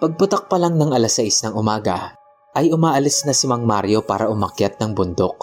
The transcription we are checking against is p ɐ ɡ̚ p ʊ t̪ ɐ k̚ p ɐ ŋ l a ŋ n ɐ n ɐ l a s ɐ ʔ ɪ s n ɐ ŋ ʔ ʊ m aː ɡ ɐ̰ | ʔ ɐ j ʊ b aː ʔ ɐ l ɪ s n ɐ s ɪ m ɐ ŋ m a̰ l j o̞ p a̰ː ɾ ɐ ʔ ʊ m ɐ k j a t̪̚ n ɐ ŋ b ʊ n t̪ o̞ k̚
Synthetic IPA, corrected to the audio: p ɐ ɡ̚ p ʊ t̪ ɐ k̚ p ɐ l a ŋ n ɐ ŋ ɐ l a s ɐ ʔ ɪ s n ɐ ŋ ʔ ʊ m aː ɡ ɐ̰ | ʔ ɐ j ʊ m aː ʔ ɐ l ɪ s n ɐ s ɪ m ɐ ŋ m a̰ ɾ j o̞ p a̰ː ɾ ɐ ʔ ʊ m ɐ k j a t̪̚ n ɐ ŋ b ʊ n d̪ o̞ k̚